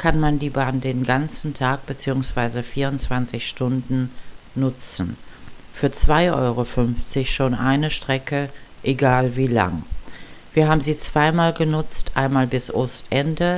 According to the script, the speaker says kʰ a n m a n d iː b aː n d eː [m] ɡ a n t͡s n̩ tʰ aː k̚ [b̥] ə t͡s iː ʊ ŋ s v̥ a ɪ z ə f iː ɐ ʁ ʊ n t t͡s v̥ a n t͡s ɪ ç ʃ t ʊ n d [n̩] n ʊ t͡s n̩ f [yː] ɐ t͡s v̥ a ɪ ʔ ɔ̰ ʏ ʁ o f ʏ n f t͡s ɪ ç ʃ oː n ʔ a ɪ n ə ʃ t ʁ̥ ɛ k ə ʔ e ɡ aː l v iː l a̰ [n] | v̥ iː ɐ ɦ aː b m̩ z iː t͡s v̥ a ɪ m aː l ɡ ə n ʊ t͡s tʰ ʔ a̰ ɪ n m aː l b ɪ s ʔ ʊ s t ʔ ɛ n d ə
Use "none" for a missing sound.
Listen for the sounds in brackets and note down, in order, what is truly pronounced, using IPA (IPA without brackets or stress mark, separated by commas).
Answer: n, b̥, n̩, yː, ŋ